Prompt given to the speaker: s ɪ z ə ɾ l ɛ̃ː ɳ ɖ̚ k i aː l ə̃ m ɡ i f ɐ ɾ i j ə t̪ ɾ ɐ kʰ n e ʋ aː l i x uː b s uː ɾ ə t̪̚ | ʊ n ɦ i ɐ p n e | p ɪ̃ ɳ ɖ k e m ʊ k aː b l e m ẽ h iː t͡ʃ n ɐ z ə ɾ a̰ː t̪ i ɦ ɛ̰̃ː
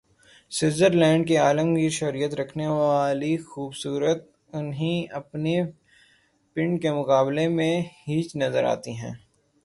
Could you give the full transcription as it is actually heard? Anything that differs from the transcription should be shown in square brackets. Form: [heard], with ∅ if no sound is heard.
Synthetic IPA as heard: s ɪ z ə ɾ l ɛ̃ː ɳ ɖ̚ k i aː l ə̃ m ɡ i [ʃ] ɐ ɾ i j ə t̪ ɾ ɐ kʰ n e ʋ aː l i x uː b s uː ɾ ə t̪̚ | ʊ n ɦ i ɐ p n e | p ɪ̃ ɳ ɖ k e m ʊ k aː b l e m ẽ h iː t͡ʃ n ɐ z ə ɾ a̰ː t̪ i ɦ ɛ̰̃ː

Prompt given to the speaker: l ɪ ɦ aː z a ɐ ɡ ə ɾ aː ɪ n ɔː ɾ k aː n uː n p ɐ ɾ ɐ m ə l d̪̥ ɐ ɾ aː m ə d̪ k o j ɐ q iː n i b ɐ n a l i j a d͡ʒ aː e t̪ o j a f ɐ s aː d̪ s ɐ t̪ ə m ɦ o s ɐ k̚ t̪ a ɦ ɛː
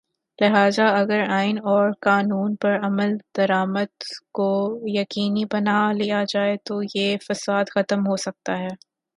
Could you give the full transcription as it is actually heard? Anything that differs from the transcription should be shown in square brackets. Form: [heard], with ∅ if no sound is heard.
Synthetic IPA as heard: l ɪ ɦ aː z a ɐ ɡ ə ɾ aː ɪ n ɔː ɾ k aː n uː n p ɐ ɾ ɐ m ə l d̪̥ ɐ ɾ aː m ə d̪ k o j ɐ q iː n i b ɐ n a l i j a d͡ʒ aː e t̪ o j [e] f ɐ s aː d̪ [x] ɐ t̪ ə m ɦ o s ɐ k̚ t̪ a ɦ ɛː

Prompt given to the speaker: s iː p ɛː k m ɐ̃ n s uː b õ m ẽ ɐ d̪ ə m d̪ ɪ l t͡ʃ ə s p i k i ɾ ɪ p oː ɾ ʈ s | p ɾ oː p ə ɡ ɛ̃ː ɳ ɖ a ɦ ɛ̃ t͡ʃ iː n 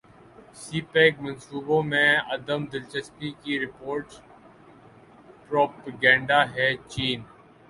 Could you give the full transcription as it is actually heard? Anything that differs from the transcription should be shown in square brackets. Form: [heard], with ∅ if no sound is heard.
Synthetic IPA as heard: s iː p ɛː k m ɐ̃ n s uː b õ m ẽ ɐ d̪ ə m d̪ ɪ l t͡ʃ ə s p i k i ɾ ɪ p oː ɾ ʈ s | p ɾ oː p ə ɡ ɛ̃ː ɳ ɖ a ɦ [ɛ] t͡ʃ iː n

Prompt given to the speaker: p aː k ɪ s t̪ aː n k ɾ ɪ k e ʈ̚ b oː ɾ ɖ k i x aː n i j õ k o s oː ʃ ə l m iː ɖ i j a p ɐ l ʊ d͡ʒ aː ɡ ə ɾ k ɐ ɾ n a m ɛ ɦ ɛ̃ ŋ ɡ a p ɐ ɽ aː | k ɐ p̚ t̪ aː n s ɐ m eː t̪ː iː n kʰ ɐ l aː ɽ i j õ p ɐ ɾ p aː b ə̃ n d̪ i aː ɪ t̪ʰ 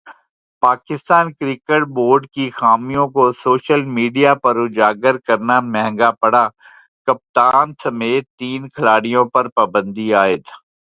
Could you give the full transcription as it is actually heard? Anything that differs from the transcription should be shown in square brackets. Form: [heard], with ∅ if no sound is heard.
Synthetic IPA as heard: p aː k ɪ s t̪ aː n k ɾ ɪ k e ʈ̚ b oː ɾ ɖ k i x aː [m] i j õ k o s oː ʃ ə l m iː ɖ i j a p ɐ [ɾ] ʊ d͡ʒ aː ɡ ə ɾ k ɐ ɾ n a m ɛ ɦ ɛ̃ ŋ ɡ a p ɐ ɽ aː | k ɐ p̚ t̪ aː n s ɐ m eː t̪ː iː n kʰ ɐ l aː ɽ i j õ p ɐ ɾ p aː b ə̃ n d̪ i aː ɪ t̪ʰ

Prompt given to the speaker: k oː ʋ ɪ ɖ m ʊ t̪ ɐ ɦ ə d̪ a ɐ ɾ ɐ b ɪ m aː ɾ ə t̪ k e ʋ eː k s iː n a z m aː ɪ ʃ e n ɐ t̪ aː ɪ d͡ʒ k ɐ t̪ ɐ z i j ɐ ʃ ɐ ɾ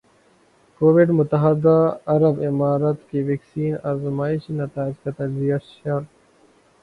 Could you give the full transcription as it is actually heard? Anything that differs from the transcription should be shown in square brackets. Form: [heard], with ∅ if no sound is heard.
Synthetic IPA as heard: k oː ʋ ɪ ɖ m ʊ t̪ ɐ ɦ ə d̪ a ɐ ɾ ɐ b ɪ m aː ɾ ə t̪ k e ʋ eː k s iː n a z m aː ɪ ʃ [i] n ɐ t̪ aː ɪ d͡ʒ k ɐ t̪ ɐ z i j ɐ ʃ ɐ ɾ

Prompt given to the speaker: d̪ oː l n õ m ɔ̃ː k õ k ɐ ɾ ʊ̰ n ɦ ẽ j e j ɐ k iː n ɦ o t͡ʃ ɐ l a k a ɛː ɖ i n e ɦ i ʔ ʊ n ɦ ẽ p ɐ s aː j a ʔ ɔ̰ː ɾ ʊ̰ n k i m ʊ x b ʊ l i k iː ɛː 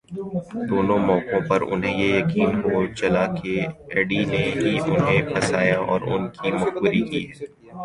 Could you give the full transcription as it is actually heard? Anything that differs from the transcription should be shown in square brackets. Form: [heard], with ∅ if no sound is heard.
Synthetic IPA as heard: d̪ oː [∅] n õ m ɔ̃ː k õ [p] ɐ ɾ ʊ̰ n ɦ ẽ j e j ɐ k iː n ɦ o t͡ʃ ɐ l a k [e] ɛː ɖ i n e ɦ i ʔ ʊ n ɦ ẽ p ɐ s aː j a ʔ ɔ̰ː ɾ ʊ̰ n k i m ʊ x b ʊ [ɾ] i k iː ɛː

